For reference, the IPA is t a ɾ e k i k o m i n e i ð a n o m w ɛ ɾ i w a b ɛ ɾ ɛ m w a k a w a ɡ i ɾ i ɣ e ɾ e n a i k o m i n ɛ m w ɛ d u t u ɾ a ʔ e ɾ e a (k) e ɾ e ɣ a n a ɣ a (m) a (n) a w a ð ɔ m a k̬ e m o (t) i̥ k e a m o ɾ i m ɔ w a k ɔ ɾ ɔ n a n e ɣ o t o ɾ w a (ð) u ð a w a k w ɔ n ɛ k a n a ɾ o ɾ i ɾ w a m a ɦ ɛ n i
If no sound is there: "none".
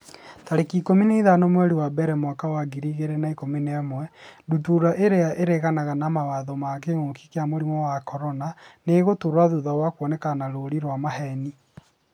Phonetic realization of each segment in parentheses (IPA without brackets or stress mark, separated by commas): ʔ, n, m, k, ð